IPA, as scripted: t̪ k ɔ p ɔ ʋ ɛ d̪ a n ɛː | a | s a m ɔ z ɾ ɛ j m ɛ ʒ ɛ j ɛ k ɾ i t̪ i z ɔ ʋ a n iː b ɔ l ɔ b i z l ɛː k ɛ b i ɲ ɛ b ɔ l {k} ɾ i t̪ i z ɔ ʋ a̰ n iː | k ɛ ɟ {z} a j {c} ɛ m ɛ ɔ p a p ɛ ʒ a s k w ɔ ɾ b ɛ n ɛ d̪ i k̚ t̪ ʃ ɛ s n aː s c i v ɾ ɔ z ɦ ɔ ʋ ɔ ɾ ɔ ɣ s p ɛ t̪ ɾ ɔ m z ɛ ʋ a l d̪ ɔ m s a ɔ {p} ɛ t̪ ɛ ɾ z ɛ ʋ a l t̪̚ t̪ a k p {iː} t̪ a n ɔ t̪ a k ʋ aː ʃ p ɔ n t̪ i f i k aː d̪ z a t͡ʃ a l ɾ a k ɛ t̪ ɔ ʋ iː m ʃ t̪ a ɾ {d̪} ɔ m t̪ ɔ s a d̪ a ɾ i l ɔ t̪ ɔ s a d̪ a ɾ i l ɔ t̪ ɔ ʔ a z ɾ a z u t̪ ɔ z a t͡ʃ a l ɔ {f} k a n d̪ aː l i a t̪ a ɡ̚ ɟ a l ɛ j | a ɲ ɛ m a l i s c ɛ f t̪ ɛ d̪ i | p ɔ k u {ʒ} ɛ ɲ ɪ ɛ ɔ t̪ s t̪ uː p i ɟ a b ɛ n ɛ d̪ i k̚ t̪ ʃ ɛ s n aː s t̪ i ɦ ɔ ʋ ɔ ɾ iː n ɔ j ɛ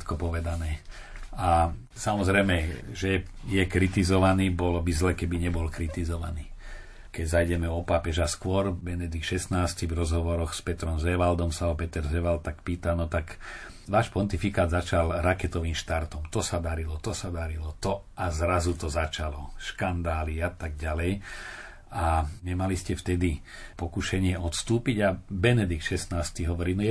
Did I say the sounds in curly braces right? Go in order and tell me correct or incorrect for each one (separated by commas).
correct, correct, incorrect, correct, correct, incorrect, incorrect, incorrect